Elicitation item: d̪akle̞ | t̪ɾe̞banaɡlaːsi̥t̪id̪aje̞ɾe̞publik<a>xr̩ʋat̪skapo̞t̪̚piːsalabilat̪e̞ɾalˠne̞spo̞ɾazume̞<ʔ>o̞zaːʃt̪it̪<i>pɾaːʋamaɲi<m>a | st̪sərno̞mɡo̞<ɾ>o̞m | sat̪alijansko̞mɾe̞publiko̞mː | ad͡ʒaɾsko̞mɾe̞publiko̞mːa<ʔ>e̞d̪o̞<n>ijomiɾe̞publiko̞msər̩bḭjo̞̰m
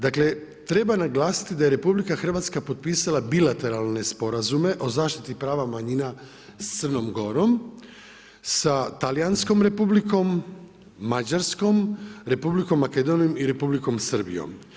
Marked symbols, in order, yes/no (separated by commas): yes, yes, yes, no, yes, no, yes